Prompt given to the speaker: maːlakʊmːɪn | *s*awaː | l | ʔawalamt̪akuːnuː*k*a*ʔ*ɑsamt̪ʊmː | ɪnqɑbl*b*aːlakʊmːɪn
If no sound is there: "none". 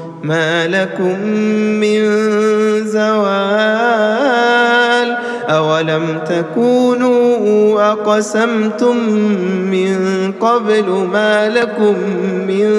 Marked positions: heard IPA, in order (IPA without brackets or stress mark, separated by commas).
z, ʔ, q, m